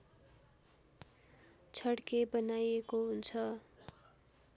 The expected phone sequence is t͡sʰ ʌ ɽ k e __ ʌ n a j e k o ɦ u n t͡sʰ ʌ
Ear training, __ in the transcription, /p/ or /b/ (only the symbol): b